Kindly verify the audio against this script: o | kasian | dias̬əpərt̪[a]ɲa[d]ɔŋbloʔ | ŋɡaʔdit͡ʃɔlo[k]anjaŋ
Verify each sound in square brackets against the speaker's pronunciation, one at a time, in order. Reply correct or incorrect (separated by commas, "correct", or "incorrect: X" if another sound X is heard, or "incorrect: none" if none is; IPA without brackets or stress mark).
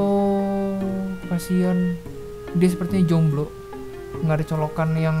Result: incorrect: i, incorrect: d͡ʒ, correct